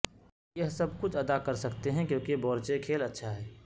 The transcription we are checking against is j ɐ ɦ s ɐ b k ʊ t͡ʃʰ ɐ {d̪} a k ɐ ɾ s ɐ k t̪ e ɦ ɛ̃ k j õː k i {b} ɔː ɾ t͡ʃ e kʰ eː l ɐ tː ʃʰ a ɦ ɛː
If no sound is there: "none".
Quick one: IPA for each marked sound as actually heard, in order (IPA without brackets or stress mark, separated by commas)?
d̪, b